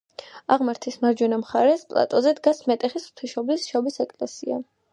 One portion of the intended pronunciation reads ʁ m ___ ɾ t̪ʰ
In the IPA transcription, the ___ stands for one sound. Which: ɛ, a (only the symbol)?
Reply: a